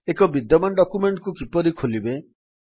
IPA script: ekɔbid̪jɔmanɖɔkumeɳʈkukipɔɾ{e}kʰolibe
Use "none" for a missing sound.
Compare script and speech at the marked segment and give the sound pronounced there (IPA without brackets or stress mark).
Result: i